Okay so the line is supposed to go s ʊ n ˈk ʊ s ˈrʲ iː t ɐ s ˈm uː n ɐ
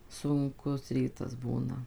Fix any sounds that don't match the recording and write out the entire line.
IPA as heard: s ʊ ŋ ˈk ʊ s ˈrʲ iː t ɐ s ˈb uː n ɐ